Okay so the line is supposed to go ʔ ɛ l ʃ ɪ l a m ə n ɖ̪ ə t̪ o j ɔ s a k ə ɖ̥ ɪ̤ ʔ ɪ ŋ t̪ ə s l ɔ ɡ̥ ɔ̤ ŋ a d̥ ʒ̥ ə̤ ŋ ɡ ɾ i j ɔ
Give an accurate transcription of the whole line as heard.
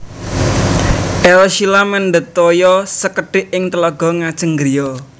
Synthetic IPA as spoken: ʔ ɛ l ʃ i l a m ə n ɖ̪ ə t̪ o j ɔ s ə k ə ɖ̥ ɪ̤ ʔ ɪ ŋ t̪ ə l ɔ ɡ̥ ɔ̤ ŋ a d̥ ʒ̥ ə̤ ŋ ɡ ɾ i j ɔ